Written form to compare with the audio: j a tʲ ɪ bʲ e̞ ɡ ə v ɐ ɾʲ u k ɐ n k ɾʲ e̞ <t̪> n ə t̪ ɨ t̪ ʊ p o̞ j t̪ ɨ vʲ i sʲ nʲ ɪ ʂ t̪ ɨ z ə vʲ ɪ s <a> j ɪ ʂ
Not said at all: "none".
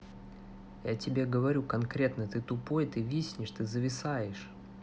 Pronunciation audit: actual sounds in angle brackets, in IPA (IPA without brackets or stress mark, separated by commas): t̪, a